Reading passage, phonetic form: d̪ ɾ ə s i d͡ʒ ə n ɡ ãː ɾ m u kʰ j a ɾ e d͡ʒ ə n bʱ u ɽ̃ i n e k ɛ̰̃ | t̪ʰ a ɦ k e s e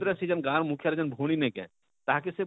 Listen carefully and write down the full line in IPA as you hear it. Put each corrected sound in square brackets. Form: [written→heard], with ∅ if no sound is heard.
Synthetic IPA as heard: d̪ ɾ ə s i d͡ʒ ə n ɡ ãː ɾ m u kʰ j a ɾ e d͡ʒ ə n bʱ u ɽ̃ i n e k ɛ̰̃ | [t̪ʰ→t̪] a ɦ k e s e

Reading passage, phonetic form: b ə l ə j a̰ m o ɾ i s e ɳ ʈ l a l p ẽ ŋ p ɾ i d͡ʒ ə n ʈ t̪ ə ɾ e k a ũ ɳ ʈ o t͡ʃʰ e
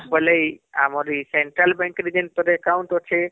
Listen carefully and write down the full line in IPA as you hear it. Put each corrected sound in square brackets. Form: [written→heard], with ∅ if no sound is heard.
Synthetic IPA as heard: b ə l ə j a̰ m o ɾ i s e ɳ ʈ [l→ɾ] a l [p→b] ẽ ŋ [p→k] ɾ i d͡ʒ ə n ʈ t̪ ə ɾ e k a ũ ɳ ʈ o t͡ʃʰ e

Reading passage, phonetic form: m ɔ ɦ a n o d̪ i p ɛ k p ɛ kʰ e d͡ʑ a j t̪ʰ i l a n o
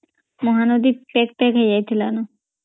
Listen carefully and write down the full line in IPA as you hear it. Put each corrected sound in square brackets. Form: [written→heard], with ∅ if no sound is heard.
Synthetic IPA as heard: m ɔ ɦ a n o d̪ i p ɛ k p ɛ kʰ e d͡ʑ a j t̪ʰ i l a n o

